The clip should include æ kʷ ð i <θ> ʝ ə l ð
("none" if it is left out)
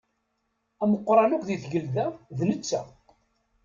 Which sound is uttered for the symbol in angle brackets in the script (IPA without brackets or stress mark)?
θ